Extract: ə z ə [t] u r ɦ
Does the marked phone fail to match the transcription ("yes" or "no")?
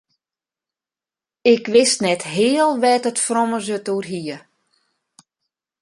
no